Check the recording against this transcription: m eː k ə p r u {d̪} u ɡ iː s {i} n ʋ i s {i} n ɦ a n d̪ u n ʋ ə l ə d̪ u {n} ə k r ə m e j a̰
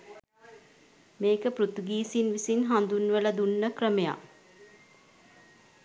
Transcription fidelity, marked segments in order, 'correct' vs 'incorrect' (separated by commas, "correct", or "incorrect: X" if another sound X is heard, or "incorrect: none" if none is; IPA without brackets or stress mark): incorrect: t̪, correct, correct, incorrect: nː